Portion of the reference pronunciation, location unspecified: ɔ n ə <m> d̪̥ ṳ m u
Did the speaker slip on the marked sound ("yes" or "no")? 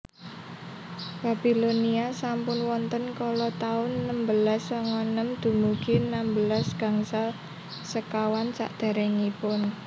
no